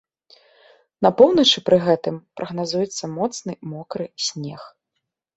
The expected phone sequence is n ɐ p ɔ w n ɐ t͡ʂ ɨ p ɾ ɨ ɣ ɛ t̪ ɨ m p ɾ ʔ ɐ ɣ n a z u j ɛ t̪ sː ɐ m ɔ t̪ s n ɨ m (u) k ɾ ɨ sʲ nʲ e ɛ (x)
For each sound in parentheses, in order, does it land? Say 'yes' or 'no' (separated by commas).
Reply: no, yes